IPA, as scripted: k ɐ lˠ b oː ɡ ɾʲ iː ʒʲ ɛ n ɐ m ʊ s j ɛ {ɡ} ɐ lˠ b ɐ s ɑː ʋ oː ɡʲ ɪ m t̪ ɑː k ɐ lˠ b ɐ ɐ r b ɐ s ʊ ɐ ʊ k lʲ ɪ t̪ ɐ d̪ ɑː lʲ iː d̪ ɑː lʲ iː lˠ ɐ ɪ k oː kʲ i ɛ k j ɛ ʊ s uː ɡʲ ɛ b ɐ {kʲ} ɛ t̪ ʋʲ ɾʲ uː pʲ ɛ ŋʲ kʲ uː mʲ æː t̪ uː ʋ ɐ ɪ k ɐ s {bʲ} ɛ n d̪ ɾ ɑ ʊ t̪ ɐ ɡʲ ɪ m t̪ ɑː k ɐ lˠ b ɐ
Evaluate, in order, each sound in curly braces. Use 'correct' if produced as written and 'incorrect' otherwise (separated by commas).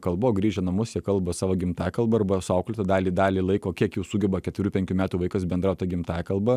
incorrect, correct, correct